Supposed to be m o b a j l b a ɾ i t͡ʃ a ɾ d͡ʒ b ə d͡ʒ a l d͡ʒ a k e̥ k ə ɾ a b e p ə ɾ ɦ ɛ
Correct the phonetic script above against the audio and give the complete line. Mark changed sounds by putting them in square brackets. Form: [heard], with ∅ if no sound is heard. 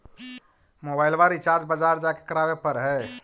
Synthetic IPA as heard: m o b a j l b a ɾ i t͡ʃ a ɾ d͡ʒ b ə d͡ʒ a [ɾ] d͡ʒ a k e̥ k ə ɾ a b e p ə ɾ ɦ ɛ